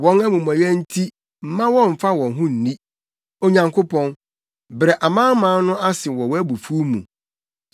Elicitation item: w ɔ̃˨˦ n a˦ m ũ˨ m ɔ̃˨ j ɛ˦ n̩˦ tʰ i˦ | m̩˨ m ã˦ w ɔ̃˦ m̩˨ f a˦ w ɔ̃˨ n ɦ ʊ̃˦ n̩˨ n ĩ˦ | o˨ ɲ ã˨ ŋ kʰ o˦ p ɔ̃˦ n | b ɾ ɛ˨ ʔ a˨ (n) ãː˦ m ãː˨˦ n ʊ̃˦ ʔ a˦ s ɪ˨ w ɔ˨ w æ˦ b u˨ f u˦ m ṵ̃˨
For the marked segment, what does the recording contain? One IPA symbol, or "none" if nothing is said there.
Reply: m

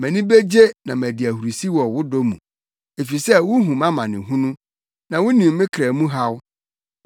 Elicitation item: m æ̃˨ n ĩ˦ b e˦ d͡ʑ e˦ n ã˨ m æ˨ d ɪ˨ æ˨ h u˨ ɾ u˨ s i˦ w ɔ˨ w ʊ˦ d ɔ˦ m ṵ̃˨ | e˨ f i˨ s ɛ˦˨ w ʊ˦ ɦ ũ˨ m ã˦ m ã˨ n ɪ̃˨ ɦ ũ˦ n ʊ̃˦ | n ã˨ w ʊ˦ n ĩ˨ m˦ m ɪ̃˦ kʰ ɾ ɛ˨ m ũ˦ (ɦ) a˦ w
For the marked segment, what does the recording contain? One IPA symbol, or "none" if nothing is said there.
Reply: ɦ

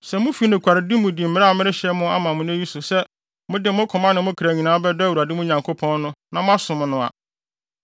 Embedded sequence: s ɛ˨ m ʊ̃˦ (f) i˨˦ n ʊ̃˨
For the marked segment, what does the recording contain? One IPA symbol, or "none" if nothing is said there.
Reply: f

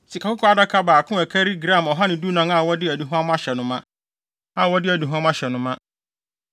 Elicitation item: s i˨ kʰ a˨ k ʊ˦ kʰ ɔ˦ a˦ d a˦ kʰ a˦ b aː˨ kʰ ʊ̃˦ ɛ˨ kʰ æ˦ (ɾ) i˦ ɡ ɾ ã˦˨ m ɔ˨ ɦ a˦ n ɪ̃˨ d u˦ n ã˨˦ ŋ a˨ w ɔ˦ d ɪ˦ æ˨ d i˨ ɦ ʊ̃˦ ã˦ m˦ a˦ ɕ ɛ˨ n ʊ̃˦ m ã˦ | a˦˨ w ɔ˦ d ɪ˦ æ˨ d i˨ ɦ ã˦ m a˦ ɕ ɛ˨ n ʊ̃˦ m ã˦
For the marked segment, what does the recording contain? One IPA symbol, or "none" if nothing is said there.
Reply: ɾ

